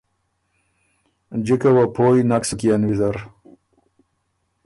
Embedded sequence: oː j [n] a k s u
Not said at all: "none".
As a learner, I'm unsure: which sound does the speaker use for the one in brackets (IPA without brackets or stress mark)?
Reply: n